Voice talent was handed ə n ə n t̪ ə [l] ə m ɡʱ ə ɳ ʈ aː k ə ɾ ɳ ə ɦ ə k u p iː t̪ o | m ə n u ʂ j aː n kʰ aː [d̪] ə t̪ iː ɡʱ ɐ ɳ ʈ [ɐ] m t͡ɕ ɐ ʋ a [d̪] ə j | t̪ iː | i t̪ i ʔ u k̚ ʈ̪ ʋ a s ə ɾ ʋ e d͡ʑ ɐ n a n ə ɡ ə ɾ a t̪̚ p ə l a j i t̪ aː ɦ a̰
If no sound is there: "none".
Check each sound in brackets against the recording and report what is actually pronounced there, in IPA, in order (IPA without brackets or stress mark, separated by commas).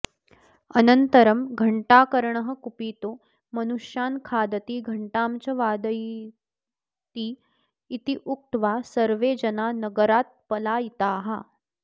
ɾ, d̪, a, d̪